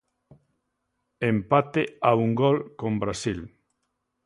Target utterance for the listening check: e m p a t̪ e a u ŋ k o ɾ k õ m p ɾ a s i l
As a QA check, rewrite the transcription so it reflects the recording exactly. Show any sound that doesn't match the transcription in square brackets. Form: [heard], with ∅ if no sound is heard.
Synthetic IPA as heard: e m p a t̪ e a u ŋ [ɡ] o [l] k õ m [b] ɾ a s i l